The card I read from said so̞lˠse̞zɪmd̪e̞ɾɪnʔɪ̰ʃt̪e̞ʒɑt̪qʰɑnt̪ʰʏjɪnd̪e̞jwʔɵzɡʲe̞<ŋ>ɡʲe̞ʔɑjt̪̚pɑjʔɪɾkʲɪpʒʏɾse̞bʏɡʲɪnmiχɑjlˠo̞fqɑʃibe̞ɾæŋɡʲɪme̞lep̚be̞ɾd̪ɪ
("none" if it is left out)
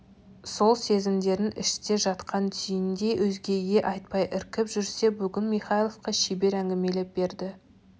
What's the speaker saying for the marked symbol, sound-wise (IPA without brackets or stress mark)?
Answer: none